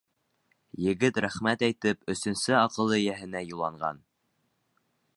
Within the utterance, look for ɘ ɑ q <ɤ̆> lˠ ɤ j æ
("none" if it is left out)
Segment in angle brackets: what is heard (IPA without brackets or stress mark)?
ɤ̆